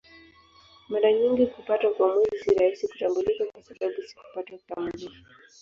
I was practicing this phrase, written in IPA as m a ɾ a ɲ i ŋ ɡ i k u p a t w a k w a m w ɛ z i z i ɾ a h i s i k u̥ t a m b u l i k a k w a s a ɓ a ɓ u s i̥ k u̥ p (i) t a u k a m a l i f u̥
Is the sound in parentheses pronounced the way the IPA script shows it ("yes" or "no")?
no